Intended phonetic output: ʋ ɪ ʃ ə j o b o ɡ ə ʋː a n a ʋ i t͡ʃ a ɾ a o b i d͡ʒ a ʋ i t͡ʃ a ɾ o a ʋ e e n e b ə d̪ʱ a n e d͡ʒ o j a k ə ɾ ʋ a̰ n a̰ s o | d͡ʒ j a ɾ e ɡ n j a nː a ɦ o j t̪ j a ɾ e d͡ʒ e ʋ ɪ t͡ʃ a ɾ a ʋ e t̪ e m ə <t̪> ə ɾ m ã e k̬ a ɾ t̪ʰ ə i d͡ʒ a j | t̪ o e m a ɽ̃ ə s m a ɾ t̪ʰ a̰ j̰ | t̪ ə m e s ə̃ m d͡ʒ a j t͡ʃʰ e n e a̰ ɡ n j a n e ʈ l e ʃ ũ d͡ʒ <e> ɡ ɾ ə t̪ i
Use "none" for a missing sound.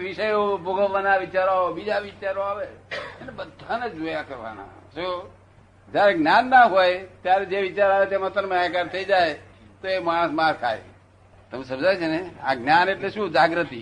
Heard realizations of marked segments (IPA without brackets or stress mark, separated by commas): t̪, a